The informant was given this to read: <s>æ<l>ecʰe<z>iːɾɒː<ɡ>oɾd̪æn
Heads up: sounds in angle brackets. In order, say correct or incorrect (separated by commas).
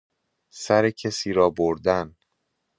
correct, incorrect, incorrect, incorrect